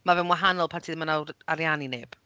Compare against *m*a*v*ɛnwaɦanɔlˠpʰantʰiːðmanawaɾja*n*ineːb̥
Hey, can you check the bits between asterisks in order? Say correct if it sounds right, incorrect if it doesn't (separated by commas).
correct, correct, correct